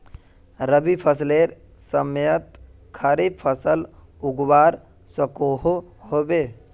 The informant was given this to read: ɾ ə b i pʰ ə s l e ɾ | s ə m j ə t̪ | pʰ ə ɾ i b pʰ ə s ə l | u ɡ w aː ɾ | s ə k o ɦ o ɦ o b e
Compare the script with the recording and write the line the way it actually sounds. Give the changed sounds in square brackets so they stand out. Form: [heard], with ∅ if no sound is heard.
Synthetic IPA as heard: ɾ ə b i pʰ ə s l e ɾ | s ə m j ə t̪ | [kʰ] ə ɾ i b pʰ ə s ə l | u ɡ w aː ɾ | s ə k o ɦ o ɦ o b e